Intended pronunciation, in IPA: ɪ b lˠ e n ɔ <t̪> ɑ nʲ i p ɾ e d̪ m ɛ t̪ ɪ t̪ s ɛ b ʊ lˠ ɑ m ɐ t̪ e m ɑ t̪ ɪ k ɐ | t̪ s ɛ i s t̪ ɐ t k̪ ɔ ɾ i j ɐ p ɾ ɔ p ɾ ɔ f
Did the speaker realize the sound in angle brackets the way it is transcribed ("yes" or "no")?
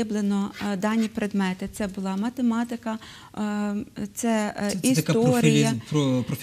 no